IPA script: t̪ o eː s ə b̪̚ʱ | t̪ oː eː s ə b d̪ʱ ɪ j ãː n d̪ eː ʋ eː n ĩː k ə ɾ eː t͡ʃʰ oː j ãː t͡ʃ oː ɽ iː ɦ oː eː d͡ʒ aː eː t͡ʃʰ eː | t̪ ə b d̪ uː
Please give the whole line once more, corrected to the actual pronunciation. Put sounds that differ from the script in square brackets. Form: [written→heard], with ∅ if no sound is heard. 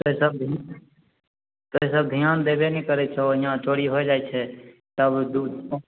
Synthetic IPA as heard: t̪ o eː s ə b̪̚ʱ | t̪ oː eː s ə b d̪ʱ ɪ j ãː n d̪ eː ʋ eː n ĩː k ə ɾ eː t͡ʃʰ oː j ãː t͡ʃ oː ɽ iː ɦ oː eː d͡ʒ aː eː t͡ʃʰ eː | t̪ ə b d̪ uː